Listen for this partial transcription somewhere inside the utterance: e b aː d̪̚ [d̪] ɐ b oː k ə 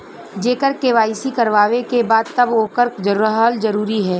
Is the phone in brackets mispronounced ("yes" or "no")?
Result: yes